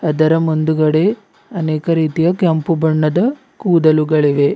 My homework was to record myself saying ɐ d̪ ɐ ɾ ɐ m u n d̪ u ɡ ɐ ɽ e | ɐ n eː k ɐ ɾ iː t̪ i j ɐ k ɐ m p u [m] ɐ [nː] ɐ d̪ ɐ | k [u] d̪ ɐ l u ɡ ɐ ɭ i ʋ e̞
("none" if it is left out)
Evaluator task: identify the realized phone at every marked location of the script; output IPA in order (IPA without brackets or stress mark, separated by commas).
b, ɳː, uː